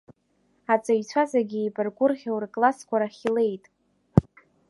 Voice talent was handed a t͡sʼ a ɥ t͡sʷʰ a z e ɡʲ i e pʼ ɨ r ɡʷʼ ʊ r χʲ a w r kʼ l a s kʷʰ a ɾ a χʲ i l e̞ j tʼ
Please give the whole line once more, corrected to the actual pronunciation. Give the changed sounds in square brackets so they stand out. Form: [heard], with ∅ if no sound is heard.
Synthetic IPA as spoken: a t͡sʼ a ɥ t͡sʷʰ a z [a] ɡʲ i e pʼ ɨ r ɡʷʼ ʊ r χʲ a w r kʼ l a s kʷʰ a ɾ a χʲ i l e̞ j tʼ

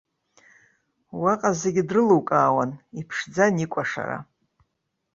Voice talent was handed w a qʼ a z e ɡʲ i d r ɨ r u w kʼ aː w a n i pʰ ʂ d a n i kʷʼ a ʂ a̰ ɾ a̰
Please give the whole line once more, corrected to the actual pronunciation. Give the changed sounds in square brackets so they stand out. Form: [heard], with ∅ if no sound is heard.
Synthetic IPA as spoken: w a qʼ a z e ɡʲ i d r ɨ [l] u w kʼ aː w a n i pʰ ʂ [d͡z] a n i kʷʼ a ʂ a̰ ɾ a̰

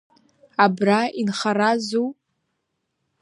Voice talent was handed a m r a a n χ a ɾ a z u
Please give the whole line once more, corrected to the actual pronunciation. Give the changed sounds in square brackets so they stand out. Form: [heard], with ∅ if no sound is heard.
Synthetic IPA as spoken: a [b] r a [i] n χ a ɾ a z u

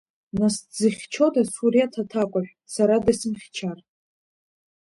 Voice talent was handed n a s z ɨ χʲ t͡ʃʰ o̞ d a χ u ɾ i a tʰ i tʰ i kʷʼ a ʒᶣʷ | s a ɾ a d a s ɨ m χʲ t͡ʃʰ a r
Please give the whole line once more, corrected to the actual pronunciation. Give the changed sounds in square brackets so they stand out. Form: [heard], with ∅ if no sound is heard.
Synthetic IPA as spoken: n a s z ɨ χʲ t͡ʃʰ o̞ d a [s] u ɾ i a tʰ [a] tʰ [a] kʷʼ a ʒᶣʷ | s a ɾ a d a s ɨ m χʲ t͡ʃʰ a r

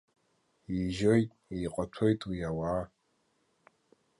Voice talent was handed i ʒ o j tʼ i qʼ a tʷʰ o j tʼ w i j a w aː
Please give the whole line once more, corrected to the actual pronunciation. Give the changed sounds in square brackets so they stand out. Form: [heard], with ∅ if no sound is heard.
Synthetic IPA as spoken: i ʒ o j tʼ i qʼ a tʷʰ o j tʼ w i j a w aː

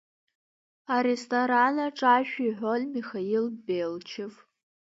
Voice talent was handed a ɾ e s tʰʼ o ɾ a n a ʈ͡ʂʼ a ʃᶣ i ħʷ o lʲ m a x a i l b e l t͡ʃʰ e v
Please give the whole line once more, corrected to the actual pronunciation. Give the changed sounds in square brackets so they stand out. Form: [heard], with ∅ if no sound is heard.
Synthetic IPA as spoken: a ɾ e s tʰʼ o ɾ a n a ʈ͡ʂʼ a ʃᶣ i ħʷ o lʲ m [i] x a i l b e l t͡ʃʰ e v

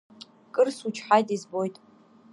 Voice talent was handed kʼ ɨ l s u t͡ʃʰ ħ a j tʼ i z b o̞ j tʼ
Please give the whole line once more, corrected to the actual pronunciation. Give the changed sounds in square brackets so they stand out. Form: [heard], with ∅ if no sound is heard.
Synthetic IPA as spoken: kʼ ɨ [r] s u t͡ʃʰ ħ a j tʼ i z b o̞ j tʼ

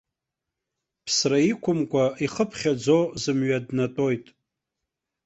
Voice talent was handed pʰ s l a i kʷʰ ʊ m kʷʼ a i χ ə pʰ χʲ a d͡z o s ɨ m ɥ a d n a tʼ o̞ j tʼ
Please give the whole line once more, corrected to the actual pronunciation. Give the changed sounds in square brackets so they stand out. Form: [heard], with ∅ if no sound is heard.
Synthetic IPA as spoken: pʰ s [r] a i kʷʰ ʊ m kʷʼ a i χ ə pʰ χʲ a d͡z o [z] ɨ m ɥ a d n a tʼ o̞ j tʼ

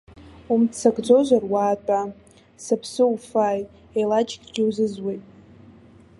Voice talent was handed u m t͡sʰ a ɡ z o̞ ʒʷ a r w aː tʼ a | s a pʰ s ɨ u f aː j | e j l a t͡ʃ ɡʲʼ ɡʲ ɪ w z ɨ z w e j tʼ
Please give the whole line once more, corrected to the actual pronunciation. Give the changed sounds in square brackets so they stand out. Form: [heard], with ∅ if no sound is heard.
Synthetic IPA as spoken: u m t͡sʰ a ɡ [d͡z] o̞ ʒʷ a r w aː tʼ a | s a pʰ s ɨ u f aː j | e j l a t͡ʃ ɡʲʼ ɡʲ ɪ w z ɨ z w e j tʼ

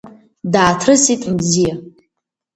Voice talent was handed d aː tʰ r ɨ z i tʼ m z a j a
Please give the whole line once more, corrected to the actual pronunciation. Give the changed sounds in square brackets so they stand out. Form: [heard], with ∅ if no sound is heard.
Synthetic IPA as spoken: d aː tʰ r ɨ [s] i tʼ m z [i] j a

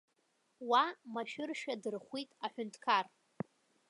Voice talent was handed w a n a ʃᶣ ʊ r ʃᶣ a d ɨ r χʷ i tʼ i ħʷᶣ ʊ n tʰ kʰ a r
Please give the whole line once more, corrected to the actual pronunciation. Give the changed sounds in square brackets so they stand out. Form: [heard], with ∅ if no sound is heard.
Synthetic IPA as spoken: w a [m] a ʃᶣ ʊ r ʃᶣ a d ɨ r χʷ i tʼ [a] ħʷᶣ ʊ n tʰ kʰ a r

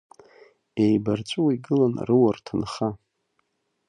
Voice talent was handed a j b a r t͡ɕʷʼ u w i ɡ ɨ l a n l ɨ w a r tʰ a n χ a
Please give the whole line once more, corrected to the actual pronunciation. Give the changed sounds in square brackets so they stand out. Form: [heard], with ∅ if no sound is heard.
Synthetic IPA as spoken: [e] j b a r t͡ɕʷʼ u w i ɡ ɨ l a n [r] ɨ w a r tʰ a n χ a

